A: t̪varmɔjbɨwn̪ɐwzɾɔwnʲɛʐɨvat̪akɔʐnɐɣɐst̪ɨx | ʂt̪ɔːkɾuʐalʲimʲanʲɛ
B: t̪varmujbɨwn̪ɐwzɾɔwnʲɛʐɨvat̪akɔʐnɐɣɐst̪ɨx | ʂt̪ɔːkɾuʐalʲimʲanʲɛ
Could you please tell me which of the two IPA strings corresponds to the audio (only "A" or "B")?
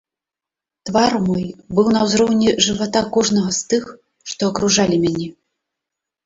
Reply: A